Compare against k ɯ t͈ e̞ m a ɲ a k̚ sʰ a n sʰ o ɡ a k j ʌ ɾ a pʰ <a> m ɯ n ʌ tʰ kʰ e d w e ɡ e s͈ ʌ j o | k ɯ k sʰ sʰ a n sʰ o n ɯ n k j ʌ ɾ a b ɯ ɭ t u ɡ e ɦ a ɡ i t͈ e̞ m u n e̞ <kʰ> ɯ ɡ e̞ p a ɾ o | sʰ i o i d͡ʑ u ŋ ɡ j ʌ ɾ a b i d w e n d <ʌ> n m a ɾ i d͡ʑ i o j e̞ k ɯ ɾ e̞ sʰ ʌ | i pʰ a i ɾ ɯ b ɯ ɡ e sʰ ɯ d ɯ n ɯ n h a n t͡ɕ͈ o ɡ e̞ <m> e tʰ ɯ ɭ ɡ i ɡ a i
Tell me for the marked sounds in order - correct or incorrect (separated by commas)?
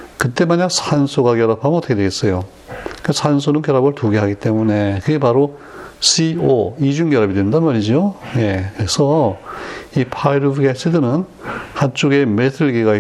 correct, incorrect, incorrect, correct